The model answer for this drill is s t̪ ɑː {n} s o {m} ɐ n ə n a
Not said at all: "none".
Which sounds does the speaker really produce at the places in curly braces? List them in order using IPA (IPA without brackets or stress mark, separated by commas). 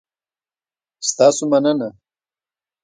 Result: none, m